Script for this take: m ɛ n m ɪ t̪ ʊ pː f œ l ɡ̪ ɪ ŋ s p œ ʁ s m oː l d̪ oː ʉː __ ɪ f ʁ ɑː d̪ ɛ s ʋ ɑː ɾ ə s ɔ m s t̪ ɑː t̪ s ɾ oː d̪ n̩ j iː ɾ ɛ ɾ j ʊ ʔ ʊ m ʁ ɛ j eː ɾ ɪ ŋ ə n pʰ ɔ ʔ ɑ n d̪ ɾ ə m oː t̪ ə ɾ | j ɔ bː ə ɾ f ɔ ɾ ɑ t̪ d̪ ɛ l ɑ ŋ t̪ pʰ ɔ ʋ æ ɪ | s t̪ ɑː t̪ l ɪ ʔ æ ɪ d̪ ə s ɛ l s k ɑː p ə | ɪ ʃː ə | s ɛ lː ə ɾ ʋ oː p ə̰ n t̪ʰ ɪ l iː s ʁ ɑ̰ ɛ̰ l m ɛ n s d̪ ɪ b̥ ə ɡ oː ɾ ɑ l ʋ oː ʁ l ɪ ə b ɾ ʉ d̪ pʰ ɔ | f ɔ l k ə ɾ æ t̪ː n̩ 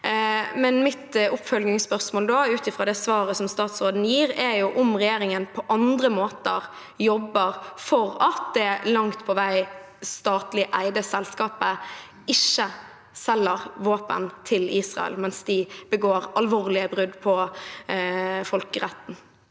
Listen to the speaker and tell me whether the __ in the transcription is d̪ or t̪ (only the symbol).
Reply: t̪